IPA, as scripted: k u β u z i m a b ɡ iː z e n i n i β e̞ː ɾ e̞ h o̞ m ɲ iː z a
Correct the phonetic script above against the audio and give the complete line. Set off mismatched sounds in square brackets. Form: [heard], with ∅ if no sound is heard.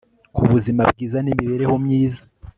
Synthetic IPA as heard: k u β u z i m a b ɡ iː z [a] n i [m] i β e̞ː ɾ e̞ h o̞ m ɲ iː z a

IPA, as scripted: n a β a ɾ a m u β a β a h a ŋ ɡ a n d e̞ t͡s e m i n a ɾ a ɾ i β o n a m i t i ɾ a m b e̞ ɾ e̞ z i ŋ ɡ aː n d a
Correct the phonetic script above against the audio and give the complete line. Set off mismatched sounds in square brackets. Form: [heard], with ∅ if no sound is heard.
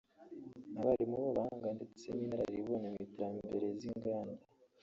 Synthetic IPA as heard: n a β a ɾ [i] m u β a β a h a ŋ ɡ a n d e̞ t͡s e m i n a ɾ a ɾ i β o n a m i t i ɾ a m b e̞ ɾ e̞ z i ŋ ɡ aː n d a

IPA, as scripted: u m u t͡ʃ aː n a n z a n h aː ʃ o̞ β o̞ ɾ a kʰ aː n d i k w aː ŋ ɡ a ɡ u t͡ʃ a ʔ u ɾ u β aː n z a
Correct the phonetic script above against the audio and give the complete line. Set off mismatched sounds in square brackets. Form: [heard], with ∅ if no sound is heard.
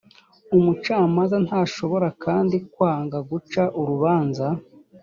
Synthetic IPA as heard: u m u t͡ʃ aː [m] a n z a n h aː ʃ o̞ β o̞ ɾ a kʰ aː n d i k w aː ŋ ɡ a ɡ u t͡ʃ a ʔ u ɾ u β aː n z a

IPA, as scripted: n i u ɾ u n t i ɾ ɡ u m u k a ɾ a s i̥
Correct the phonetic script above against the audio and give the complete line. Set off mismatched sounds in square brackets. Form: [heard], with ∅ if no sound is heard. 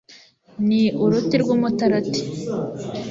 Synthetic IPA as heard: n i u ɾ u [∅] t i ɾ ɡ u m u [t] a ɾ a [t] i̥

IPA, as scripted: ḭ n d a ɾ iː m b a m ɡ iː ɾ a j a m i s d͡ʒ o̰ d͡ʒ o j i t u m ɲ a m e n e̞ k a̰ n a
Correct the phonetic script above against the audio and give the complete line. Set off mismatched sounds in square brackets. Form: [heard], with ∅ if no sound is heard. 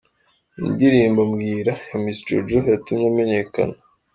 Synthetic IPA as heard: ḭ n d [i] ɾ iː m b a m ɡ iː ɾ a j a m i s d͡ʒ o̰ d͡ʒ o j [a] t u m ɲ a m e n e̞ k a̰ n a

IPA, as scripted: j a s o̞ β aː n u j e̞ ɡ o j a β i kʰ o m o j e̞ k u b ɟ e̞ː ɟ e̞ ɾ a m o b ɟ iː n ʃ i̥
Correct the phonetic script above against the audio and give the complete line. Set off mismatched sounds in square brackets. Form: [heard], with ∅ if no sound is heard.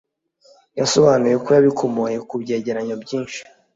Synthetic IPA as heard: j a s o̞ β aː n u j e̞ [k] o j a β i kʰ o m o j e̞ k u b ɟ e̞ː ɟ e̞ ɾ a [ɲ] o b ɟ iː n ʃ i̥

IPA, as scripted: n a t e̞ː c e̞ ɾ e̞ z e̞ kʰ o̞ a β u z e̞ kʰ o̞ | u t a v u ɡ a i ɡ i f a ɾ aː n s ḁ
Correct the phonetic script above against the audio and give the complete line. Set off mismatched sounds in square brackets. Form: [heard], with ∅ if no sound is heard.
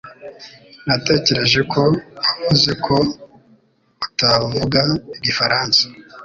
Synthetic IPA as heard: n a t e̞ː c e̞ ɾ e̞ [ʒ] e̞ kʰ o̞ a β u z e̞ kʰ o̞ | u t a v u ɡ a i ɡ i f a ɾ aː n s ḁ

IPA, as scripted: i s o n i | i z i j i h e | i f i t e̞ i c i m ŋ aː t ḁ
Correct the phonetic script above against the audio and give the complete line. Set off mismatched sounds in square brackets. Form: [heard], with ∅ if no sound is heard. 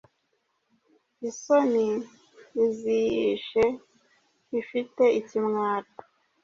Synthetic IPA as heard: i s o n i | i z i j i [ʃ] e | i f i t e̞ i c i m ŋ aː t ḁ

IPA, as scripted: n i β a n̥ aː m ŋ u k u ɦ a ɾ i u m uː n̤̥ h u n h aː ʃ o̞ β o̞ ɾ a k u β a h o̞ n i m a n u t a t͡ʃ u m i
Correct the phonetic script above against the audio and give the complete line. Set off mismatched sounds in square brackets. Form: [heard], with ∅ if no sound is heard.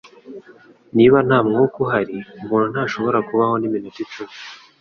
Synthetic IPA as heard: n i β a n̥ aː m ŋ u k u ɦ a ɾ i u m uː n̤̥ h u n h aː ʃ o̞ β o̞ ɾ a k u β a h o̞ n i m [i] n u t [i] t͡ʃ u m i

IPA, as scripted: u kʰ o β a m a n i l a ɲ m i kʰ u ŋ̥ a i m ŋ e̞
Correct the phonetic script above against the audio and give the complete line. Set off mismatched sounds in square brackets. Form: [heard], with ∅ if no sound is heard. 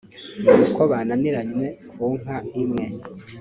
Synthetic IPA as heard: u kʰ o β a [n] a n i [ɾ] a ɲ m [e] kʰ u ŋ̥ a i m ŋ e̞

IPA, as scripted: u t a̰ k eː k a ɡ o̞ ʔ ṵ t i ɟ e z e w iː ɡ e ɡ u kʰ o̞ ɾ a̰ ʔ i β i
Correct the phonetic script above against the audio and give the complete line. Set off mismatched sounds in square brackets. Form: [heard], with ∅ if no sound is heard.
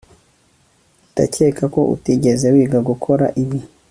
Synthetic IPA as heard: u t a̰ [c] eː k a [k] o̞ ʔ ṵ t i ɟ e z e w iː ɡ [a] ɡ u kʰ o̞ ɾ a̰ ʔ i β i

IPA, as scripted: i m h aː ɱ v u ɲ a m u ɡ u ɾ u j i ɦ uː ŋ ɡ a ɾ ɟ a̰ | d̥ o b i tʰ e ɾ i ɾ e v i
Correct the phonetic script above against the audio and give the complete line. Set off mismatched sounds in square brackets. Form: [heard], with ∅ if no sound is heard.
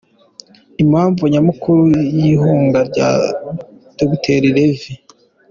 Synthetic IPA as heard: i m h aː ɱ v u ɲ a m u [k] u ɾ u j i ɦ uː ŋ ɡ a ɾ ɟ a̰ | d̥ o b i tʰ e ɾ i ɾ e v i

